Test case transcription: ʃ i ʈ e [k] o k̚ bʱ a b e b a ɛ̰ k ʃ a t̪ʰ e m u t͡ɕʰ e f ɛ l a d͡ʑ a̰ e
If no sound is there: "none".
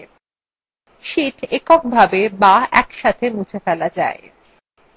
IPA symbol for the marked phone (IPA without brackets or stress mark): k